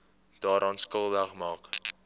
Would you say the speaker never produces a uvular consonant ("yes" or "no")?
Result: no